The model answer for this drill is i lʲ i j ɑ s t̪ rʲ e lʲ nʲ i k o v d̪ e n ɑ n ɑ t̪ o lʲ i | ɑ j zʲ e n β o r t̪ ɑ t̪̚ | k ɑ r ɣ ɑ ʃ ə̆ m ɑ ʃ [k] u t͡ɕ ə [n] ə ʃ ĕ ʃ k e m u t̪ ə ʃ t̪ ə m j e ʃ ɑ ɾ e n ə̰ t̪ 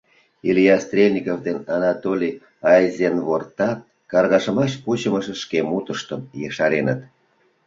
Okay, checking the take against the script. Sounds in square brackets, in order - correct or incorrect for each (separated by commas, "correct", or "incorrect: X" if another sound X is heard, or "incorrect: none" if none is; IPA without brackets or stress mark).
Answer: incorrect: p, incorrect: m